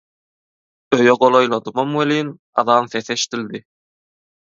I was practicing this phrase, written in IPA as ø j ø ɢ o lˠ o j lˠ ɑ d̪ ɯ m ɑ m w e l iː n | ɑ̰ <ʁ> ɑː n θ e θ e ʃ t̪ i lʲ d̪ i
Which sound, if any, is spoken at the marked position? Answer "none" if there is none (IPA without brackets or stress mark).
ð